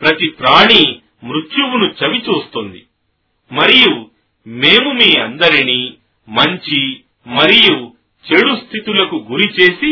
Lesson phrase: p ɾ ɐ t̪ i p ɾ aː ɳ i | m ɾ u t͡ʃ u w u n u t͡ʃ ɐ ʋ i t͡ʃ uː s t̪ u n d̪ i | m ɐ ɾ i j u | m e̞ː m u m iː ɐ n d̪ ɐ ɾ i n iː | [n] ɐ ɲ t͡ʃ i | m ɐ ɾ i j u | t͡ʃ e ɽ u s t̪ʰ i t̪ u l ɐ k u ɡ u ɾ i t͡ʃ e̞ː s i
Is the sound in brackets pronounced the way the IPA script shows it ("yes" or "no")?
no